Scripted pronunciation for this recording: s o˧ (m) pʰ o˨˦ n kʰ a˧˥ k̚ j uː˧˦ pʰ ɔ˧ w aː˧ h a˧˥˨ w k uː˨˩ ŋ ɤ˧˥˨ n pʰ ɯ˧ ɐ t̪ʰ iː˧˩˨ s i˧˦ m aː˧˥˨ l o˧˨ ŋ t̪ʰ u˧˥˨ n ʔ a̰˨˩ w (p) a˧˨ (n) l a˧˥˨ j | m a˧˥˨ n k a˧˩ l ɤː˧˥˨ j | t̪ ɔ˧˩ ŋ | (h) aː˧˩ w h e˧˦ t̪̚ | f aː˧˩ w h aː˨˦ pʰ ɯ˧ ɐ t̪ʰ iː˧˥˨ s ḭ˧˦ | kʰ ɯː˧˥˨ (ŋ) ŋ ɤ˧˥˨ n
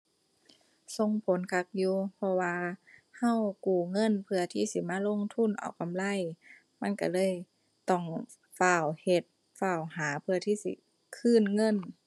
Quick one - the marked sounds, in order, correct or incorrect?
incorrect, incorrect, incorrect, incorrect, incorrect

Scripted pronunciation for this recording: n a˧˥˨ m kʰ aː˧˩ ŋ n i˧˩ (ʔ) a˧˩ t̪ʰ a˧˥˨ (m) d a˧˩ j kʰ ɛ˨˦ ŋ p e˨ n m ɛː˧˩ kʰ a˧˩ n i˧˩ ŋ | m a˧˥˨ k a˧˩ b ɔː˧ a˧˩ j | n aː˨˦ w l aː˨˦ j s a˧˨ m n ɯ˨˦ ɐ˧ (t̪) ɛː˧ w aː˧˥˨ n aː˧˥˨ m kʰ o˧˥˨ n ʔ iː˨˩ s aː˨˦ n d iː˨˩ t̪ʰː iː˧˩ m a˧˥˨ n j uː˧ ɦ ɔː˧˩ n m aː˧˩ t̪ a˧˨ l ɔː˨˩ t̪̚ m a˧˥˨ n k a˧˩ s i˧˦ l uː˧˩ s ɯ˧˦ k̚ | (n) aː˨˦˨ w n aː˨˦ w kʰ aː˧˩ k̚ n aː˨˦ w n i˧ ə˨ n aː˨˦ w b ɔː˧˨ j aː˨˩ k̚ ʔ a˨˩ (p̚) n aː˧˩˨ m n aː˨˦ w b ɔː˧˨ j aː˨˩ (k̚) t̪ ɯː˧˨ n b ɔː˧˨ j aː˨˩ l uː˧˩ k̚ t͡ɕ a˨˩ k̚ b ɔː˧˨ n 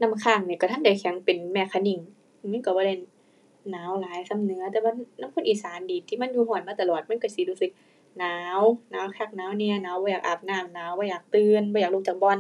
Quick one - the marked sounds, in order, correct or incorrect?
incorrect, incorrect, correct, correct, correct, correct

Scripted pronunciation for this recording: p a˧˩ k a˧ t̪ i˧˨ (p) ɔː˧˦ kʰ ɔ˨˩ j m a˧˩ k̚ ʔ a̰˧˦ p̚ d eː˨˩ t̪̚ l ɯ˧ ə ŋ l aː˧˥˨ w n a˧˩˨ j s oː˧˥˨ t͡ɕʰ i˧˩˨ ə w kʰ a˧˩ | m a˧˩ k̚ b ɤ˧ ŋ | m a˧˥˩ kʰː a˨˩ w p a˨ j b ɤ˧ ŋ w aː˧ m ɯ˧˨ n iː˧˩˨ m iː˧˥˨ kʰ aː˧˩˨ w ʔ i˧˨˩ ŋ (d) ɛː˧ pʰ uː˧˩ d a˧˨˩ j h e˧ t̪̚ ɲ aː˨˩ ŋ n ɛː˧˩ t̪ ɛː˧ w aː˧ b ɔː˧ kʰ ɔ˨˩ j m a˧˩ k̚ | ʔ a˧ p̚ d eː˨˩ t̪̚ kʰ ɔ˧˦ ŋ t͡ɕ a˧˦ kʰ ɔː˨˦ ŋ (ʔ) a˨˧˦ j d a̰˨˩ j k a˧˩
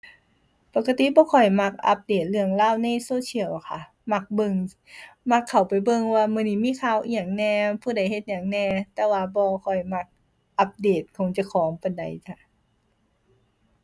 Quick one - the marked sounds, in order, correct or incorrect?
incorrect, incorrect, incorrect

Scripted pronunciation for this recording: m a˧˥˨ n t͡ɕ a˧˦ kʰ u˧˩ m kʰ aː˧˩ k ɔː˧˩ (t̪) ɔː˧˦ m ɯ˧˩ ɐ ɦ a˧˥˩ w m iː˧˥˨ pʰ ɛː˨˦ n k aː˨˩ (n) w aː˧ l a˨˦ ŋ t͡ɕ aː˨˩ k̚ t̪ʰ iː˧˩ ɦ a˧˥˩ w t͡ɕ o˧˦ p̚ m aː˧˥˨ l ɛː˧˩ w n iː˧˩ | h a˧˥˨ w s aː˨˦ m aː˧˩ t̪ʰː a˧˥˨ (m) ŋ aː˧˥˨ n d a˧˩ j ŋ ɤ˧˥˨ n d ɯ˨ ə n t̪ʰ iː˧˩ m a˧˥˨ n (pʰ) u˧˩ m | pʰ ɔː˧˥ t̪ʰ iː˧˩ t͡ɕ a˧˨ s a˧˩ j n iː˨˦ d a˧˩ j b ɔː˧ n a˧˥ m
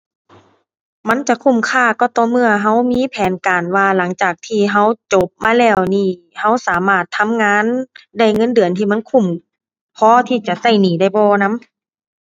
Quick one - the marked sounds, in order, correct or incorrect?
correct, correct, correct, incorrect

